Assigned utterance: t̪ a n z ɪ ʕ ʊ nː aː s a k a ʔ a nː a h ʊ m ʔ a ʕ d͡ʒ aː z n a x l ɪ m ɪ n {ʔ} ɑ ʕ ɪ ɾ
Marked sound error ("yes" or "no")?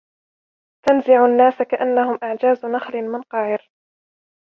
yes